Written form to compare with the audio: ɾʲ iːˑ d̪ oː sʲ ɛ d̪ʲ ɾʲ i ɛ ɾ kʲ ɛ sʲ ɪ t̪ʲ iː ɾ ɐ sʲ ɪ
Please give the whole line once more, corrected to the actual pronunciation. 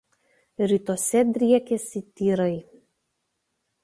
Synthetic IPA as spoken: ɾʲ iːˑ t̪ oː sʲ ɛ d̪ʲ ɾʲ i ɛ kʲ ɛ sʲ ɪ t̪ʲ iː ɾ ɐ ɪ